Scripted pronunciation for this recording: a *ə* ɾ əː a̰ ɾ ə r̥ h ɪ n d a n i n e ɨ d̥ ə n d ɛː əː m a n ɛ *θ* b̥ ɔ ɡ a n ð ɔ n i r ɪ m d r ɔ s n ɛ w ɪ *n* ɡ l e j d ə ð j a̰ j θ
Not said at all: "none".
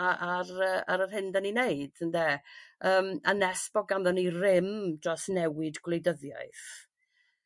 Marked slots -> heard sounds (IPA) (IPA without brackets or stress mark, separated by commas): a, s, d